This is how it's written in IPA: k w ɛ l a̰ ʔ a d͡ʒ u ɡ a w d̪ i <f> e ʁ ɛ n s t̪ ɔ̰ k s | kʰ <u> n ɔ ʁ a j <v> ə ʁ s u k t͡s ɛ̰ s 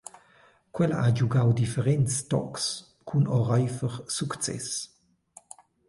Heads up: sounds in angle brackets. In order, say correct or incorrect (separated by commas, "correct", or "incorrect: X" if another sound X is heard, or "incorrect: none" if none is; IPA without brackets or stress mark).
correct, correct, incorrect: f